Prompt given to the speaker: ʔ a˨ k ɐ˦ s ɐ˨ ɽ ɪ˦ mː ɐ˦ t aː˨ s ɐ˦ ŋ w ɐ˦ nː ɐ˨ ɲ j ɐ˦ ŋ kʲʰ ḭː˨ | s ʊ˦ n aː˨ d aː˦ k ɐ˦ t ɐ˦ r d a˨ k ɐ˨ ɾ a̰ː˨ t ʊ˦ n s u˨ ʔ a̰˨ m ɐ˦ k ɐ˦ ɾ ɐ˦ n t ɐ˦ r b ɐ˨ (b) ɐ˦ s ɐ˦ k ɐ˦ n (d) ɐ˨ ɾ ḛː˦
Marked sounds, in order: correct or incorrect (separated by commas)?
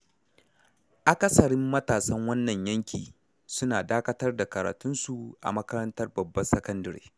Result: incorrect, correct